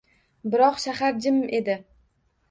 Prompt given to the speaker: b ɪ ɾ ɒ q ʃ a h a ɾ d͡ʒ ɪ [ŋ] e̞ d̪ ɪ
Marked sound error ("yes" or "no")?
yes